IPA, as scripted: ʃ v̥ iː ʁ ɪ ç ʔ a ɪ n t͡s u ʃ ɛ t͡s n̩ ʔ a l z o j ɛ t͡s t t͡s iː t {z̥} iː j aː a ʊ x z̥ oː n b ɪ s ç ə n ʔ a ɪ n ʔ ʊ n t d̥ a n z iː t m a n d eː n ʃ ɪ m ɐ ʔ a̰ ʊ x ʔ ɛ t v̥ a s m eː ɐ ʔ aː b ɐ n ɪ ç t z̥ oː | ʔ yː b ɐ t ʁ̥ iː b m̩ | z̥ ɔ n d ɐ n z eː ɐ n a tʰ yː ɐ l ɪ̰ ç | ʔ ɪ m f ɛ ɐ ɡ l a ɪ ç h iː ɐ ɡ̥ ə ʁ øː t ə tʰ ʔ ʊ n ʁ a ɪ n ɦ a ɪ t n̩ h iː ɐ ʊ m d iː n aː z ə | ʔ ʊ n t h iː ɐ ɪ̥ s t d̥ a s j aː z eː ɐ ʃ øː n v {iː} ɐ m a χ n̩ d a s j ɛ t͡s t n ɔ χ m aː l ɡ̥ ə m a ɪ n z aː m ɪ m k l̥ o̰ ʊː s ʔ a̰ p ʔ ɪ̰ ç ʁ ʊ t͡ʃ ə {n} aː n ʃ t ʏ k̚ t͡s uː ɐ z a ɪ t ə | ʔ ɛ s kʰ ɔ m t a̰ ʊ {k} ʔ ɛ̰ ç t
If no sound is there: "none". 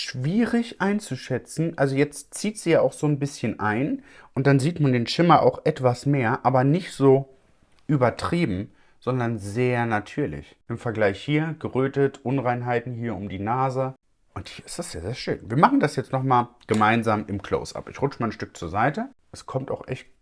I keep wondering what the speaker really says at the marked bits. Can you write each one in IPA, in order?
z̥, iː, m, x

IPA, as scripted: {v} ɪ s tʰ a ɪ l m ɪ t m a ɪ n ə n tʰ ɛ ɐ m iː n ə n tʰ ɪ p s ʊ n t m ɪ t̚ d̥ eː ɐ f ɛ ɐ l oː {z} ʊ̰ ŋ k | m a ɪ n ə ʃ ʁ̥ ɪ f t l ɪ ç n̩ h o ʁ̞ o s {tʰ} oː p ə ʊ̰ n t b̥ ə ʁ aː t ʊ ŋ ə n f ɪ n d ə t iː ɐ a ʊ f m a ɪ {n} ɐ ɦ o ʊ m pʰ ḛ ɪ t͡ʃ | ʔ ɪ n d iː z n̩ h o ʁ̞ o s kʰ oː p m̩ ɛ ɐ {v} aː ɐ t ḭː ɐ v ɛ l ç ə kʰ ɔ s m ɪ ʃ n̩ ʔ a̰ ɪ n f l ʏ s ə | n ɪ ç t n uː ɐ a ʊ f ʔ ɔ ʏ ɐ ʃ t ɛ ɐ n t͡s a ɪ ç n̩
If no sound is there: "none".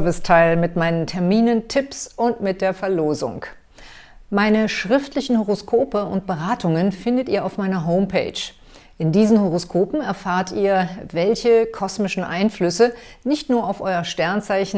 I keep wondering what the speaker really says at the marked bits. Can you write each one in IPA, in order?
v, z, kʰ, n, f

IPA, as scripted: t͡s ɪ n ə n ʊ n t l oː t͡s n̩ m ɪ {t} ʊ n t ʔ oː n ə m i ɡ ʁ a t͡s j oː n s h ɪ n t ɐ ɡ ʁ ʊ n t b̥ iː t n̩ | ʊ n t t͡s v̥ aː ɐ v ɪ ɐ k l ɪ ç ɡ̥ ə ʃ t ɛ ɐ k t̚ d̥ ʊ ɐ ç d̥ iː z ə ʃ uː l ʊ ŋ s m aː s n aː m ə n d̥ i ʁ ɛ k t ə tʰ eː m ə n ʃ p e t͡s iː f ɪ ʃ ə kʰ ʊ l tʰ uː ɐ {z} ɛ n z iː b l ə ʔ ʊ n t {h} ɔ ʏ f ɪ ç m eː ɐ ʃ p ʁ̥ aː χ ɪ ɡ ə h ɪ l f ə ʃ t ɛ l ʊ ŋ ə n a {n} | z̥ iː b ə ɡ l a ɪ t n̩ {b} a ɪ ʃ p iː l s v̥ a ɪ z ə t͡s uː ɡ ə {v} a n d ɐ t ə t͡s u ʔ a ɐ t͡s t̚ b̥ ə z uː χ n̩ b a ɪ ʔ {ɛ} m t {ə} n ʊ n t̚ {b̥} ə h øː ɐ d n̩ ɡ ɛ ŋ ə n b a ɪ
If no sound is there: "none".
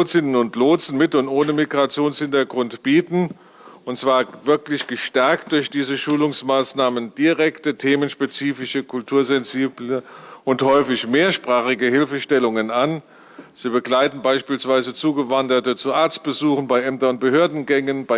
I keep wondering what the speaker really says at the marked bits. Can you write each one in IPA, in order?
t, z, h, n, b, v, ɛ, ɐ, b̥

